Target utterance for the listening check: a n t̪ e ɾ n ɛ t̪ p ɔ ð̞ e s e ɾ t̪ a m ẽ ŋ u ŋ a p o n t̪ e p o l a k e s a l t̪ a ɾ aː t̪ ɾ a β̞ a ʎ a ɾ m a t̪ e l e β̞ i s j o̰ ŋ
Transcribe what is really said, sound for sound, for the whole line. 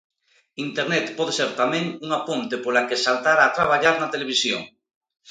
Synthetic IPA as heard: i n t̪ e ɾ n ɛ t̪ p ɔ ð̞ e s e ɾ t̪ a m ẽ ŋ u ŋ a p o n t̪ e p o l a k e s a l t̪ a ɾ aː t̪ ɾ a β̞ a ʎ a ɾ n a t̪ e l e β̞ i s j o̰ ŋ